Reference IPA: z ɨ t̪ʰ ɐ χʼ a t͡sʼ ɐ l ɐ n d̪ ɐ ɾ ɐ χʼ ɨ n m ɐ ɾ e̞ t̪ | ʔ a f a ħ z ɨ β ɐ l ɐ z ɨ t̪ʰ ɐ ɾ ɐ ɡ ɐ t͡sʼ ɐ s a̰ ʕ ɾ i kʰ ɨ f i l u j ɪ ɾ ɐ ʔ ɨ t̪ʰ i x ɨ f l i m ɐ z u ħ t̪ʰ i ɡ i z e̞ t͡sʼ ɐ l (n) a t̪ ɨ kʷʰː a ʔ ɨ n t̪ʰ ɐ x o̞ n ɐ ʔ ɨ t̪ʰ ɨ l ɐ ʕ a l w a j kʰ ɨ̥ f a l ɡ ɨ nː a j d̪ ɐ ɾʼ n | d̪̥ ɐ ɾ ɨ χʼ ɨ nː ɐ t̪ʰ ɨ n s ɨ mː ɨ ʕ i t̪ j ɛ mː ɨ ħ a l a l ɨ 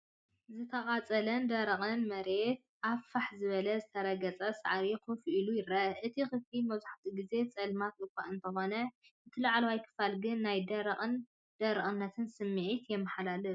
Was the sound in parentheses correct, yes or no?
no